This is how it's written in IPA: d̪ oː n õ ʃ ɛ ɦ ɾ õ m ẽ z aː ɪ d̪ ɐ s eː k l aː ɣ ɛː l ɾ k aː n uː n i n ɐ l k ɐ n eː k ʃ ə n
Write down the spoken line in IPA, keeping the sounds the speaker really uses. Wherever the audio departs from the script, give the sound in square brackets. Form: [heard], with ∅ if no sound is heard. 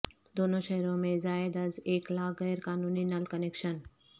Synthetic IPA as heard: d̪ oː n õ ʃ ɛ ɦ ɾ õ m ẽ z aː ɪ d̪ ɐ [z] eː k l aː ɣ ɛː [∅] ɾ k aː n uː n i n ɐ l k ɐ n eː k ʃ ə n

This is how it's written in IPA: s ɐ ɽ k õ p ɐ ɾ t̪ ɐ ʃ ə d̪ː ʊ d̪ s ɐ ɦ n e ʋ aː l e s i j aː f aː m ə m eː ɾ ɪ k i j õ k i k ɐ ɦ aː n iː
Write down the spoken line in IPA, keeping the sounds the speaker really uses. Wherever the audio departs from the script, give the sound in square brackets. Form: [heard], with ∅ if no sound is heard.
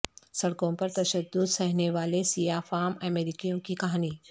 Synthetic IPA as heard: s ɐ ɽ k õ p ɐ ɾ t̪ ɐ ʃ ə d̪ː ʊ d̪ s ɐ ɦ n e ʋ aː l e s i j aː f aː m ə m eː ɾ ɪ k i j õ k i k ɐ ɦ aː n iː

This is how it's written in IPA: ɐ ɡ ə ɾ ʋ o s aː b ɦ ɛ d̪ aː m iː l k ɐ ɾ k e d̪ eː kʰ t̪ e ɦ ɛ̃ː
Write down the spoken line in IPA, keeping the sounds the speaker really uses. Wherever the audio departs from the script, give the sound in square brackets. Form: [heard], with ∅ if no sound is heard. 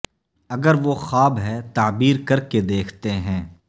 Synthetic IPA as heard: ɐ ɡ ə ɾ ʋ o [x] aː b ɦ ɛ [t̪] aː [b] iː [ɾ] k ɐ ɾ k e d̪ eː kʰ t̪ e ɦ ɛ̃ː

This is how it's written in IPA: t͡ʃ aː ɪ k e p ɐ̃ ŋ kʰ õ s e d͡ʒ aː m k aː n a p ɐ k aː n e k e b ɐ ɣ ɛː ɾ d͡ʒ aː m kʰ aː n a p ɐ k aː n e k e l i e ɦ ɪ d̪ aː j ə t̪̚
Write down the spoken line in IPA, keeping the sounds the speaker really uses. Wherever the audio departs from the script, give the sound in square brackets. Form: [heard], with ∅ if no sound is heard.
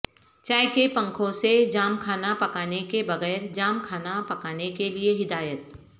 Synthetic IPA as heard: t͡ʃ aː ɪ k e p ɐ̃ ŋ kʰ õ s e d͡ʒ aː m [kʰ] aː n a p ɐ k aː n e k e b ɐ ɣ ɛː ɾ d͡ʒ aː m kʰ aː n a p ɐ k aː n e k e l i e ɦ ɪ d̪ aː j ə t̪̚

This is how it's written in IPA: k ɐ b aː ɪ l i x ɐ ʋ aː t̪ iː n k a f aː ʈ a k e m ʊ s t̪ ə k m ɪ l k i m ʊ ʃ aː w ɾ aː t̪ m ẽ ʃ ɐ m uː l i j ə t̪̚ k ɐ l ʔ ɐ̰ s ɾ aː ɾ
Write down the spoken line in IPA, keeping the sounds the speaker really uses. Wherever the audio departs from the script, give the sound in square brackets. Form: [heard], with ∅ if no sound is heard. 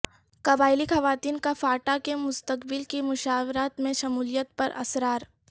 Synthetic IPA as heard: k ɐ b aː ɪ l i x ɐ ʋ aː t̪ iː n k a f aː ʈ a k e m ʊ s t̪ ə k [b] ɪ l k i m ʊ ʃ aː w ɾ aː t̪ m ẽ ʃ ɐ m uː l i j ə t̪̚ [p] ɐ [ɾ] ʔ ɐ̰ s ɾ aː ɾ

